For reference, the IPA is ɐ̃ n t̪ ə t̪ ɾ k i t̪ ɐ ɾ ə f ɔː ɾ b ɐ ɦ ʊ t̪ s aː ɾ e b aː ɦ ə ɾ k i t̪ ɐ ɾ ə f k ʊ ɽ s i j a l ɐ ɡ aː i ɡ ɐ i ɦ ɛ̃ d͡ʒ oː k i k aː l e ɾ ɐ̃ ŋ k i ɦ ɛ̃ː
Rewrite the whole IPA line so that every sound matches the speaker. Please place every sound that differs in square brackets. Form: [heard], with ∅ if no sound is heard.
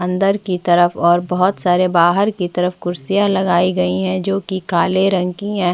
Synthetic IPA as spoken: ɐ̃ n [d̪] ə [∅] ɾ k i t̪ ɐ ɾ ə f ɔː ɾ b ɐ ɦ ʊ t̪ s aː ɾ e b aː ɦ ə ɾ k i t̪ ɐ ɾ ə f k ʊ [ɾ] s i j a l ɐ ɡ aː i ɡ ɐ i ɦ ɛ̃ d͡ʒ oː k i k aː l e ɾ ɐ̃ ŋ k i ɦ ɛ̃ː